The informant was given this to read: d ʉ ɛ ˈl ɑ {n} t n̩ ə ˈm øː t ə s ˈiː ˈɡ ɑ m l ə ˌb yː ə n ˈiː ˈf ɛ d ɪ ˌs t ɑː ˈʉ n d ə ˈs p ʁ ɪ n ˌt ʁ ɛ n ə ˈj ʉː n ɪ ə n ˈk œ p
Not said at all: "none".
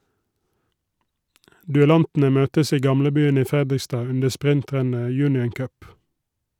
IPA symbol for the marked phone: n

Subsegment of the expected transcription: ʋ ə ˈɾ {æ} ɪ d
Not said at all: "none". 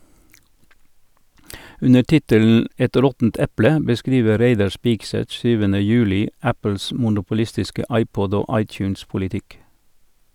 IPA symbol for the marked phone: e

